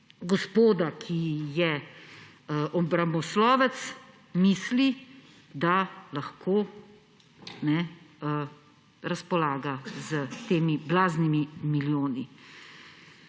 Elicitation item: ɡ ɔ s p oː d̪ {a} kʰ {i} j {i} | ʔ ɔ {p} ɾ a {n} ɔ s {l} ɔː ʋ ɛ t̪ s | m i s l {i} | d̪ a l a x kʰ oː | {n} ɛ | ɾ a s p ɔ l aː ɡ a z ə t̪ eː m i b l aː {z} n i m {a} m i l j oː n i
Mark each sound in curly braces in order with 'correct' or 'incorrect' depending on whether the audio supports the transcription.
correct, correct, incorrect: ɛ, incorrect: b, incorrect: m, correct, correct, correct, correct, incorrect: i

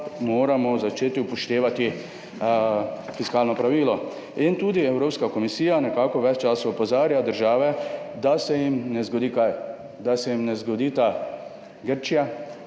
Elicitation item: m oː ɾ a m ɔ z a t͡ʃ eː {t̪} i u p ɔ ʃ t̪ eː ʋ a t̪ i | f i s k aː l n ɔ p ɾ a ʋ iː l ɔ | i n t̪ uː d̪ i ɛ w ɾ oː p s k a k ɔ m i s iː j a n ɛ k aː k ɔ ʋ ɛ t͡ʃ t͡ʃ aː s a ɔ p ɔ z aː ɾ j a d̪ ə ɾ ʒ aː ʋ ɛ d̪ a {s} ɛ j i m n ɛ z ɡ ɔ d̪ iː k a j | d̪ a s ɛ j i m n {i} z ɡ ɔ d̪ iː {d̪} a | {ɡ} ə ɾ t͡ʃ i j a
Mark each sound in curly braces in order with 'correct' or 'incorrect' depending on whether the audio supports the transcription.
correct, correct, incorrect: ɛ, incorrect: t̪, correct

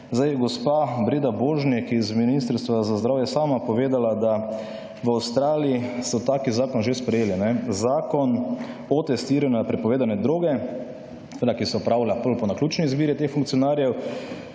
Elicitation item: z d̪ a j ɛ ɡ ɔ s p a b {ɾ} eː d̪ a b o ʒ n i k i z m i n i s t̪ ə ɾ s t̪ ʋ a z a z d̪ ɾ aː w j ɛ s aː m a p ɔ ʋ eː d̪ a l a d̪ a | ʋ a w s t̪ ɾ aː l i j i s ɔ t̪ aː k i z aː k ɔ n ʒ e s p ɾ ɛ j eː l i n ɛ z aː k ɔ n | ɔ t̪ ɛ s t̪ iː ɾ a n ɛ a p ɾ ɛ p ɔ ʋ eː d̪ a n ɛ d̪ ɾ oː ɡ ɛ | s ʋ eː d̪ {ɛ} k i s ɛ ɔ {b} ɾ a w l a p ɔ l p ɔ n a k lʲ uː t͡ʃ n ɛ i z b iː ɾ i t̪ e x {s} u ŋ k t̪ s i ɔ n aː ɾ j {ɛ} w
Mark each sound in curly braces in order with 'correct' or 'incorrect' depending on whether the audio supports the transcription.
correct, incorrect: a, incorrect: p, incorrect: f, correct

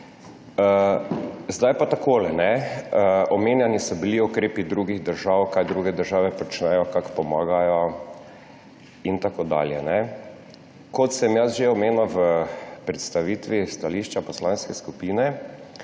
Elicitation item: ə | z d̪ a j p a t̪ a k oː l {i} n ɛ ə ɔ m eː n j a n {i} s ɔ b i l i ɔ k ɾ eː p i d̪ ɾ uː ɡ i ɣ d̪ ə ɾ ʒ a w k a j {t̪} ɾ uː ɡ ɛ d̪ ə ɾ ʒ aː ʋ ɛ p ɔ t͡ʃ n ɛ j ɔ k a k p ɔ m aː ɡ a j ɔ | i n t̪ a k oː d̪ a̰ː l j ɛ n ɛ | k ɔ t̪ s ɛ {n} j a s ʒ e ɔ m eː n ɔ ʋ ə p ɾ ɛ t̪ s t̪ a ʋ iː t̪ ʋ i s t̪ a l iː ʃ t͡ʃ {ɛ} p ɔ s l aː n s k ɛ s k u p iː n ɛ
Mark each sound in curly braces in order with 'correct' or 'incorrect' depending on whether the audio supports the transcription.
incorrect: ɛ, correct, incorrect: d̪, incorrect: m, incorrect: a

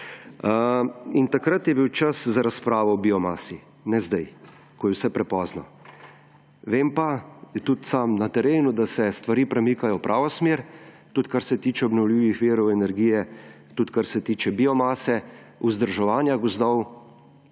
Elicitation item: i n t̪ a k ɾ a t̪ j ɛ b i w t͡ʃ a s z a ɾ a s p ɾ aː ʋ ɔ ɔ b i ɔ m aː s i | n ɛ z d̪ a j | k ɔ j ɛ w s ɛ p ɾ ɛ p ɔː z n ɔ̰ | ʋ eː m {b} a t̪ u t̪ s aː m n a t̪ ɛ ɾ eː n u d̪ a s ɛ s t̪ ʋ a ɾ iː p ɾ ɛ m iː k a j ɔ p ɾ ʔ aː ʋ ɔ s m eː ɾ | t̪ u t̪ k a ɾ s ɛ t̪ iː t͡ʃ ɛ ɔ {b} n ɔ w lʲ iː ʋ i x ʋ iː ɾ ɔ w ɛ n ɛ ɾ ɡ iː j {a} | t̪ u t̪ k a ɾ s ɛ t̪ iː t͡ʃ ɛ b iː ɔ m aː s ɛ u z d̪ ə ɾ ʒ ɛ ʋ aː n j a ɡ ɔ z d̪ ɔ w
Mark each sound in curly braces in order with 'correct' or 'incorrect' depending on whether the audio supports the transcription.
incorrect: p, correct, incorrect: ɛ

